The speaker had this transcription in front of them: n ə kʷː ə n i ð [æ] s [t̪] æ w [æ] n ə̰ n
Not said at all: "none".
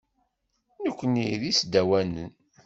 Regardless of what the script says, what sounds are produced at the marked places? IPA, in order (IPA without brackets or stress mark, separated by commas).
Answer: i, d̪, æ